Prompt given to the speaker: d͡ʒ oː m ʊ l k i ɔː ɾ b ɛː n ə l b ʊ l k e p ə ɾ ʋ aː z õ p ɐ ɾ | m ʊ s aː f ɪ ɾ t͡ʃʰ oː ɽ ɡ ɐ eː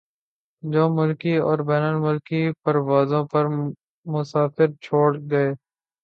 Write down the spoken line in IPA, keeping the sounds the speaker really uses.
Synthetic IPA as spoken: d͡ʒ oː m ʊ l k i ɔː ɾ b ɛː n ə l m ʊ l k i p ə ɾ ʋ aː z õ p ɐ ɾ | m ʊ s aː f ɪ ɾ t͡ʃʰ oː ɽ ɡ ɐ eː